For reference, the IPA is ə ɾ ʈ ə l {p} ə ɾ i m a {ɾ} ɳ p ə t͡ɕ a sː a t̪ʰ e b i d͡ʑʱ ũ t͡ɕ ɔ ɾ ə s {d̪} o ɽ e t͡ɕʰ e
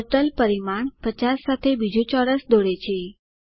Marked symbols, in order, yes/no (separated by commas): yes, no, yes